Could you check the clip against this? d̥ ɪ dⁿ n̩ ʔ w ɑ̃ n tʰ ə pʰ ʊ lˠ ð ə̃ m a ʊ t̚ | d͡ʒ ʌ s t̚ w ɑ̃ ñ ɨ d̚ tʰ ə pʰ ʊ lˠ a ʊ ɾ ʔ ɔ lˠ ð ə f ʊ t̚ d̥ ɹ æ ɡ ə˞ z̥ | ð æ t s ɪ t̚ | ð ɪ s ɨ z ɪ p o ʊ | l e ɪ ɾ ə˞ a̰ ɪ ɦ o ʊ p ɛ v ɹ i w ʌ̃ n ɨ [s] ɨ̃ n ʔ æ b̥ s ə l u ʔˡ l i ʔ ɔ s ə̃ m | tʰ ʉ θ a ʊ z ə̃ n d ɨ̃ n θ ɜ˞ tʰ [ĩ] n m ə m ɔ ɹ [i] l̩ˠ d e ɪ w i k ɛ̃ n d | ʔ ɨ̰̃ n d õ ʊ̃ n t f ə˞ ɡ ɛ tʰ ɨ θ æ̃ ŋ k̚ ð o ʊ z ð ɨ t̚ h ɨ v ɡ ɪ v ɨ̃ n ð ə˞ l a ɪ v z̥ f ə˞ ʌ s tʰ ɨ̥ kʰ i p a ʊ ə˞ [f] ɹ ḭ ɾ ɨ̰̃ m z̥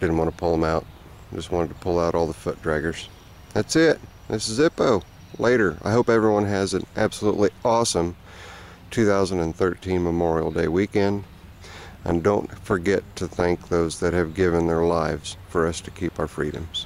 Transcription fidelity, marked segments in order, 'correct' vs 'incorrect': incorrect: z, correct, correct, correct

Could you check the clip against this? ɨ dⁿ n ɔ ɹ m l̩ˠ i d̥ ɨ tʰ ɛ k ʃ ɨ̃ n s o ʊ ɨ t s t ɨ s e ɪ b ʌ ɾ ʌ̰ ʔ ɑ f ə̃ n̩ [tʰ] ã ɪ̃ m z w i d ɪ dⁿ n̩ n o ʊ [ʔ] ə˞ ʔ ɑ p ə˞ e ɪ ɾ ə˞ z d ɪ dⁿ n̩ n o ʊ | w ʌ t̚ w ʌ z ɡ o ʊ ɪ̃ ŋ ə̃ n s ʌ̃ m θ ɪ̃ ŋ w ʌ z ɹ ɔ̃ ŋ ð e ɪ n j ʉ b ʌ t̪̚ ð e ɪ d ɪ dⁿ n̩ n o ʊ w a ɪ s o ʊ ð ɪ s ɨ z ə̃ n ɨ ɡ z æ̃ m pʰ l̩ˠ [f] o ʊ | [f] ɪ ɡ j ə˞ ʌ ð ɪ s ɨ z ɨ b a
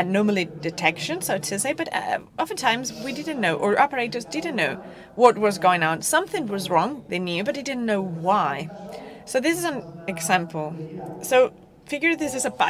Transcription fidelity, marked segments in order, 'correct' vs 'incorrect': correct, correct, incorrect: s, correct

